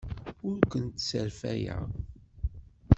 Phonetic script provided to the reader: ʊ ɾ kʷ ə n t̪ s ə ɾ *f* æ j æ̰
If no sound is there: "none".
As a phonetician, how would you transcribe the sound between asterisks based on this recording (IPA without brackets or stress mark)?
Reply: f